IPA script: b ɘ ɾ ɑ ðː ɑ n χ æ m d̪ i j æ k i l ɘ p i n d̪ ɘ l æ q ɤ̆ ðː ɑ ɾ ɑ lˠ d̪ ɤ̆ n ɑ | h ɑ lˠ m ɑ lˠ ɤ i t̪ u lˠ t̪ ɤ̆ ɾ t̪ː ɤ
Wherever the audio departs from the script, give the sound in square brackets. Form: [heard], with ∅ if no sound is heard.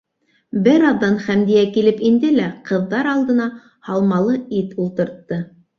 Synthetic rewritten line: b ɘ ɾ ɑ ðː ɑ n χ æ m d̪ i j æ k i l ɘ p i n d̪ ɘ l æ q ɤ̆ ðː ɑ ɾ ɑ lˠ d̪ ɤ̆ n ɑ | h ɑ lˠ m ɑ lˠ ɤ i t̪ u lˠ t̪ ɤ̆ ɾ t̪ː ɤ